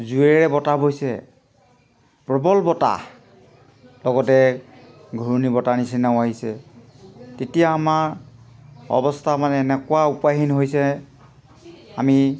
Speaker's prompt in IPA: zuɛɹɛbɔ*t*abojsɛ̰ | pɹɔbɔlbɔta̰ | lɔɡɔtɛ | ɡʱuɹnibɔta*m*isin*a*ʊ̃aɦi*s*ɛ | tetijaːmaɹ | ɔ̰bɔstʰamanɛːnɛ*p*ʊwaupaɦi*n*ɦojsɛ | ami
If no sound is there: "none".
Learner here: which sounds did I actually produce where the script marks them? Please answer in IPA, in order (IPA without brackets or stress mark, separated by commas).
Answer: t, n, a, s, k, n